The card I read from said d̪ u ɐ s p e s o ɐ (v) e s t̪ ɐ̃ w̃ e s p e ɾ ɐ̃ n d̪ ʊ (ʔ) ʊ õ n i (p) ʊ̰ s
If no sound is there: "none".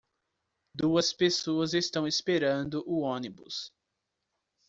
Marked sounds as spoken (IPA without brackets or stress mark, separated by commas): z, ʔ, b